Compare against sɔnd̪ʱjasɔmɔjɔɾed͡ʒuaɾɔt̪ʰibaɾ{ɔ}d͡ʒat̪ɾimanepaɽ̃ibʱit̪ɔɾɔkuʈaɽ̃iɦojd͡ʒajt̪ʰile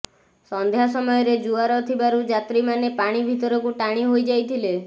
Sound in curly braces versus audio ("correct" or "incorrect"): incorrect